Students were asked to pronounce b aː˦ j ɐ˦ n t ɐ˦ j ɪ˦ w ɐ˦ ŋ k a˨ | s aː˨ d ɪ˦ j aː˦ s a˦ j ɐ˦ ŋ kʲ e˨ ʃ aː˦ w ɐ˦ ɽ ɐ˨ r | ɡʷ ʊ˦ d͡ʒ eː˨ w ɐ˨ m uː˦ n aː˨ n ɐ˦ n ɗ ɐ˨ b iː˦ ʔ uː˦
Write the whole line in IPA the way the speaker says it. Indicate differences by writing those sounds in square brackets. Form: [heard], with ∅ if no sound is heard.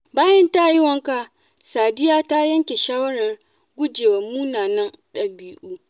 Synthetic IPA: b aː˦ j ɐ˦ n t [a˦] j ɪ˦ w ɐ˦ ŋ k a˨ | s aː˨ d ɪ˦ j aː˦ [t] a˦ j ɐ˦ ŋ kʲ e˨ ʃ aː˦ w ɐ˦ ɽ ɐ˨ r | ɡʷ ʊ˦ d͡ʒ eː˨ w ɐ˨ m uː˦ n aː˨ n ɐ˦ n ɗ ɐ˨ b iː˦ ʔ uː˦